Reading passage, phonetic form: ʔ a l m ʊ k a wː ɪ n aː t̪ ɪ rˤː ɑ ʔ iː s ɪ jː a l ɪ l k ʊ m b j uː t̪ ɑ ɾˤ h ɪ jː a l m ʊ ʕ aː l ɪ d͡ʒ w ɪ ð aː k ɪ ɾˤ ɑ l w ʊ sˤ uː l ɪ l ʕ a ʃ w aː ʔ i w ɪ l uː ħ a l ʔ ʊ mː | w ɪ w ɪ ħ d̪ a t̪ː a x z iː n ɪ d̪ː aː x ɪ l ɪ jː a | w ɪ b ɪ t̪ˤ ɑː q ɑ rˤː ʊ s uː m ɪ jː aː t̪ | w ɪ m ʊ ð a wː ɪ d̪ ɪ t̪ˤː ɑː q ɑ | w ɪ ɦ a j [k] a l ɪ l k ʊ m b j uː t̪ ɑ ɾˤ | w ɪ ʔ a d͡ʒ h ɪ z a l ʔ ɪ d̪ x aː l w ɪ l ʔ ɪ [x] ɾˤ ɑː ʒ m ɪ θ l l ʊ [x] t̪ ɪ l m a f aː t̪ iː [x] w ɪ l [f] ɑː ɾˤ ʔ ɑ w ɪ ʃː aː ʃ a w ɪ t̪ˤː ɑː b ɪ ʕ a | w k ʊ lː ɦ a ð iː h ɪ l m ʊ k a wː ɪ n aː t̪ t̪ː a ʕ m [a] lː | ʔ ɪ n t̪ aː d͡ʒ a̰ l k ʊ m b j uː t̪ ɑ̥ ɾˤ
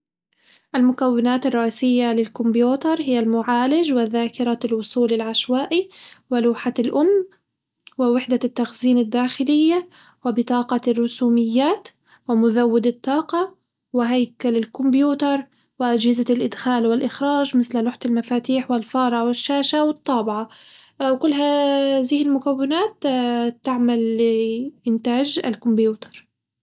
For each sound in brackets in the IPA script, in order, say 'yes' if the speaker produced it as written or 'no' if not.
yes, yes, no, no, yes, yes

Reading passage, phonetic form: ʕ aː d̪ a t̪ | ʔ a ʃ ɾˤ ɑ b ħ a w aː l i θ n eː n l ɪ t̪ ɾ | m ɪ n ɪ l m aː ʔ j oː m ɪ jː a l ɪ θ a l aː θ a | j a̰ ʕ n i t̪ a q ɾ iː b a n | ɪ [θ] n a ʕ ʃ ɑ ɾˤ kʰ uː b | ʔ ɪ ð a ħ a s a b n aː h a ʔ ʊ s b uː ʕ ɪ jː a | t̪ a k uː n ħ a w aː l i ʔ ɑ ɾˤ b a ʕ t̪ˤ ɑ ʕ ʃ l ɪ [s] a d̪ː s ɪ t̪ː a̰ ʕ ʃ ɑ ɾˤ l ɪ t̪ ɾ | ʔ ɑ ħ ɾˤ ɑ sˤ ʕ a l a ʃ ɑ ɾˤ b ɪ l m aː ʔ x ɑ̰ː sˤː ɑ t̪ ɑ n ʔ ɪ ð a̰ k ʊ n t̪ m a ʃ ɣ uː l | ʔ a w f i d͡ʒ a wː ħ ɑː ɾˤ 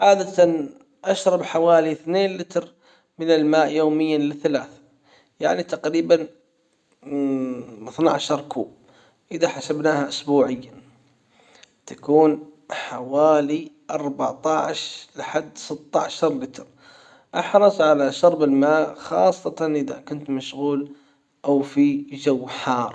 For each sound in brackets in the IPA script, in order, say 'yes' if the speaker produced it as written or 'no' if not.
yes, no

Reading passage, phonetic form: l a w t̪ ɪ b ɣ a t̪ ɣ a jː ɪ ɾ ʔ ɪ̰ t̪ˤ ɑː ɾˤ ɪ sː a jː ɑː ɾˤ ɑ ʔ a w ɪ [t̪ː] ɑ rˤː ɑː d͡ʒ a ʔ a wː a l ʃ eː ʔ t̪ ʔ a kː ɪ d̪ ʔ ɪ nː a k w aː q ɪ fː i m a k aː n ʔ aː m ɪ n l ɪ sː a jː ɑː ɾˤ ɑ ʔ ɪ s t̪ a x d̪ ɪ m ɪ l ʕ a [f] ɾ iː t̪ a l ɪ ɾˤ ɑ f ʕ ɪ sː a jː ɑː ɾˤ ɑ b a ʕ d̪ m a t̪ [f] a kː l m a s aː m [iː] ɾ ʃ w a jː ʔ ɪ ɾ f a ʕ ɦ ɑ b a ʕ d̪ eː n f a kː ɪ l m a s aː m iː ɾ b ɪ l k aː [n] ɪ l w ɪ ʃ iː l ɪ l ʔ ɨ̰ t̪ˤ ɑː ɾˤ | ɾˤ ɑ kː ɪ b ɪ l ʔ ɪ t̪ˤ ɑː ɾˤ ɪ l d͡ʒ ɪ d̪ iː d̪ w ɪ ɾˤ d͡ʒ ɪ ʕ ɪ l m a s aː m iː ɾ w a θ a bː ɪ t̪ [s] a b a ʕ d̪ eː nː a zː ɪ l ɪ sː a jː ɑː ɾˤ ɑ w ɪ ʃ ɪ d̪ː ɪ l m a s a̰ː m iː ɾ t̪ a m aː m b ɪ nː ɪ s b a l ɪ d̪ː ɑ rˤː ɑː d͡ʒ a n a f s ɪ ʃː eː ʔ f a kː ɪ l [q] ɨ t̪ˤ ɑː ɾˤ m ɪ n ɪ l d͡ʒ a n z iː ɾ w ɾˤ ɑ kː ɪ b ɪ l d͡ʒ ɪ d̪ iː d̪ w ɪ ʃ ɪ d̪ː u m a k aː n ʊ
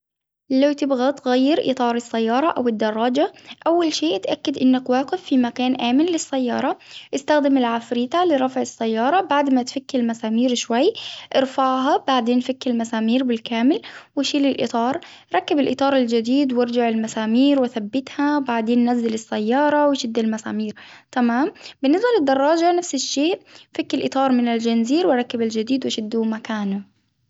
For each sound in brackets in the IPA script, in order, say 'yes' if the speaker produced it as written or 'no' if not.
no, yes, yes, yes, no, no, no

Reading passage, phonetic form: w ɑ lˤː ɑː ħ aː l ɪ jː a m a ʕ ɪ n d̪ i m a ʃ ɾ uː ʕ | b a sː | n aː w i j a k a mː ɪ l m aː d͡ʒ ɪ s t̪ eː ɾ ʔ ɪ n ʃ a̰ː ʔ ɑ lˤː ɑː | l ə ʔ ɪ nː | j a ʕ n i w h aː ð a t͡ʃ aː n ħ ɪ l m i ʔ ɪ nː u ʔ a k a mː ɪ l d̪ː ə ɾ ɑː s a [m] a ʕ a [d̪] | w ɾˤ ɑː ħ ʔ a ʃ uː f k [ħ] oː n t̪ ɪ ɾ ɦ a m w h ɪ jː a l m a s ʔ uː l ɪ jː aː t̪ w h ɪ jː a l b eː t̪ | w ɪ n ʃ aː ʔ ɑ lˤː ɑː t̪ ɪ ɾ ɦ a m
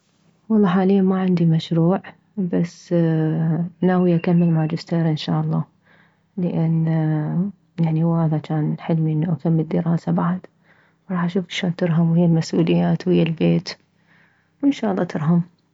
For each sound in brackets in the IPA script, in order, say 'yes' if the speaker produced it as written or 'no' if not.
no, yes, no

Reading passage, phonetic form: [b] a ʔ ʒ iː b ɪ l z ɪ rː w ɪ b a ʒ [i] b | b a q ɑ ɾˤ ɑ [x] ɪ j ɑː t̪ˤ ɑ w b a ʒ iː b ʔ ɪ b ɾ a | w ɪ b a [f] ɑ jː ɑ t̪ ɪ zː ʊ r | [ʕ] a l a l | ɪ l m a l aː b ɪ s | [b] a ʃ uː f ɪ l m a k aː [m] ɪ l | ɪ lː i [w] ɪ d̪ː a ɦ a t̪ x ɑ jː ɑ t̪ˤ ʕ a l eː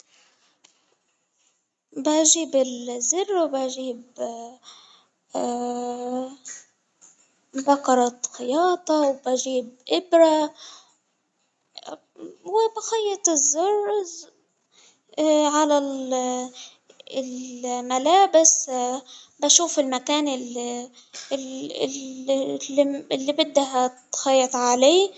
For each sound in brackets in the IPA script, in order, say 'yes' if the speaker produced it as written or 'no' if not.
yes, no, yes, no, yes, yes, no, no

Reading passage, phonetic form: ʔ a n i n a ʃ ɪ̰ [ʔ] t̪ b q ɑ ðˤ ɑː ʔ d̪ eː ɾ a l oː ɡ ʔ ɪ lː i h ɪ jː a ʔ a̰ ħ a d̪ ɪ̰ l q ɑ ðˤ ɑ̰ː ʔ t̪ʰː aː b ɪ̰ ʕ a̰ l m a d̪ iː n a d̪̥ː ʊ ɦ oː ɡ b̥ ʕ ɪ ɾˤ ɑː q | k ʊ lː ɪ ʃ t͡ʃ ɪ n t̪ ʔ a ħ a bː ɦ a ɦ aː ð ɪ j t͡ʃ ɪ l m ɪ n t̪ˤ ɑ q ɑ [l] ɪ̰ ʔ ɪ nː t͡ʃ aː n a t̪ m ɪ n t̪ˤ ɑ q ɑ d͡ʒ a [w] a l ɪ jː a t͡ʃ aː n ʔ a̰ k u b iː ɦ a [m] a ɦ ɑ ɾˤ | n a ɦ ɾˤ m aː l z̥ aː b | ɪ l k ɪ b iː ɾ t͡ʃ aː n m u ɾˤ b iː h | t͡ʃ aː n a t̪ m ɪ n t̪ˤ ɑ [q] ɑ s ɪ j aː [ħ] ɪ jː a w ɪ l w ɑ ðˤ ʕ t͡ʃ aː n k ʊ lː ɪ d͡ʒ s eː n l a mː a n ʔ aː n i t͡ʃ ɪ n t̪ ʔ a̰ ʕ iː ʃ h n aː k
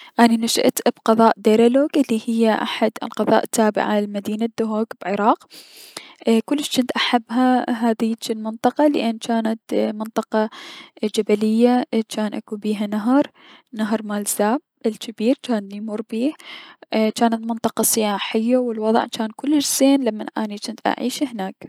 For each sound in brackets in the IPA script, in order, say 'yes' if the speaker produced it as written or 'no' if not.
yes, yes, no, no, yes, yes

